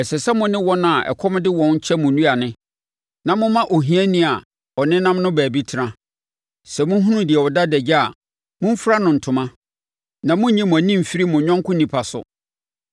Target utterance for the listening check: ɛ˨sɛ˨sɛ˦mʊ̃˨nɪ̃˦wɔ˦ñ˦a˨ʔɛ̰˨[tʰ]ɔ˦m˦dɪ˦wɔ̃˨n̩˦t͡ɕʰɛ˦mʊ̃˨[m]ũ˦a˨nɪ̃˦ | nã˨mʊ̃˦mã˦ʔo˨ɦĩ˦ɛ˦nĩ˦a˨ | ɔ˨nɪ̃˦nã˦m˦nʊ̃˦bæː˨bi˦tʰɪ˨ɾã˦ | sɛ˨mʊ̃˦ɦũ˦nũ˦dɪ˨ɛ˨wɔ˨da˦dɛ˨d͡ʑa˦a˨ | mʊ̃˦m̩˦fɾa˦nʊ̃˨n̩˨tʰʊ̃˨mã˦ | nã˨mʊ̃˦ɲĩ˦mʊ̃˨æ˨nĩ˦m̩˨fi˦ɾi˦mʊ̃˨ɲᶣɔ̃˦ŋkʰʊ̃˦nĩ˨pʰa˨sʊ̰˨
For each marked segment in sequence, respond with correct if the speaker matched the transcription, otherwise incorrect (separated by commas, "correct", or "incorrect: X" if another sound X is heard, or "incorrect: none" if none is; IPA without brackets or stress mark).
incorrect: kʰ, incorrect: n